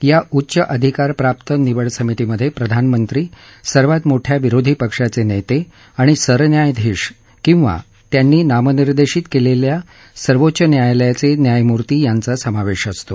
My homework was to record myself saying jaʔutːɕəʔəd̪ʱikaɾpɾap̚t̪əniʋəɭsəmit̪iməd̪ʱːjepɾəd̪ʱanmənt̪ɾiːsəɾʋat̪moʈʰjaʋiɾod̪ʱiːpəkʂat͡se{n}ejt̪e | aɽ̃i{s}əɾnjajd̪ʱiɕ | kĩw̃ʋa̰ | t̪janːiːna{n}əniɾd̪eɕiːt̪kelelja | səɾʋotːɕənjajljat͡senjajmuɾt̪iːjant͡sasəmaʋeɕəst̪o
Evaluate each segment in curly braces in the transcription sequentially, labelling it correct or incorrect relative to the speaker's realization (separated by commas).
correct, correct, incorrect